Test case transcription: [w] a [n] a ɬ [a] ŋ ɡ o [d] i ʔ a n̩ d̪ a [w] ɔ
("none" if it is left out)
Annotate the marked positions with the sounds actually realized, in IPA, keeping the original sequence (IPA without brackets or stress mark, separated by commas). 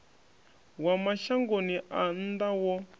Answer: w, m, a, n, w